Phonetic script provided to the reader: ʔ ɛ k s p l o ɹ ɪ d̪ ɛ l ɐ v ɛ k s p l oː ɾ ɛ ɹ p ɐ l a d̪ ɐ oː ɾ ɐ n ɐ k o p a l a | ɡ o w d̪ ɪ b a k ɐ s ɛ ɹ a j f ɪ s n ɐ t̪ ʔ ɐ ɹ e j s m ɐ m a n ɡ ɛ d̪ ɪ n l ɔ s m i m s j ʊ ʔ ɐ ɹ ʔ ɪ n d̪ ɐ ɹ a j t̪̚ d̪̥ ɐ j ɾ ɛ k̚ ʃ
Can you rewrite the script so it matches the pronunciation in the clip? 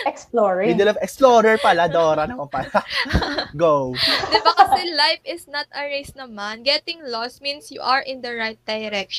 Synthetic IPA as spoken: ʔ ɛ k s p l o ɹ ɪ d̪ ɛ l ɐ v ɛ k s p l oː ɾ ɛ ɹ p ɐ l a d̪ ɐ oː ɾ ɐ n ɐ k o p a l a | ɡ o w d̪ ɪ b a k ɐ s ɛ l a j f ɪ s n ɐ t̪ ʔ ɐ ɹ e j s n ɐ m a n ɡ ɛ t̪ ɪ ŋ l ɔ s m i n s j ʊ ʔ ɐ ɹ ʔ ɪ n d̪ ɐ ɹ a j t̪̚ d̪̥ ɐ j ɾ ɛ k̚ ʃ